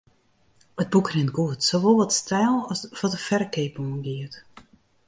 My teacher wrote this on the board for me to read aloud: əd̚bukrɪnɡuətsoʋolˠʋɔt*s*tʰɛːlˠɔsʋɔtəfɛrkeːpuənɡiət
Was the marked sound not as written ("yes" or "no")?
no